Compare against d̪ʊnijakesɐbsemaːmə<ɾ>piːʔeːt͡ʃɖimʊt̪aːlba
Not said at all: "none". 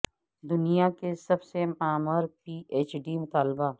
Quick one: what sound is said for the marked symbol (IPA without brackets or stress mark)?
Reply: ɾ